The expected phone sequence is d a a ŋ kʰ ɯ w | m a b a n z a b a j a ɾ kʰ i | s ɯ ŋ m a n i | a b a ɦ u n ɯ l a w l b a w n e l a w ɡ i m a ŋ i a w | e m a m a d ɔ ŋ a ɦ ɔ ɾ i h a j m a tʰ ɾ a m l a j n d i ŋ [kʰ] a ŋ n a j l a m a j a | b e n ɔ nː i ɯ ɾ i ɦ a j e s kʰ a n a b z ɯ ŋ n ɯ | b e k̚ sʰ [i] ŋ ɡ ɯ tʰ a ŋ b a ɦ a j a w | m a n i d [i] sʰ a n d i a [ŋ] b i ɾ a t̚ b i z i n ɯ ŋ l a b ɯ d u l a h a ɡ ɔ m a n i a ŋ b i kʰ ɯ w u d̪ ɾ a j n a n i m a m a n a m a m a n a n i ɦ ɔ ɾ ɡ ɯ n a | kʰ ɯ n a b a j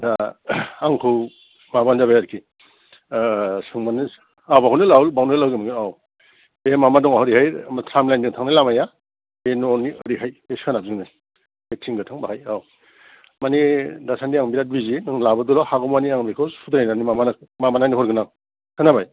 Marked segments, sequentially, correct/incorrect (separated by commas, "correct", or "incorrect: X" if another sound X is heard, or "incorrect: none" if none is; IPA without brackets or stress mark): incorrect: tʰ, correct, incorrect: a, correct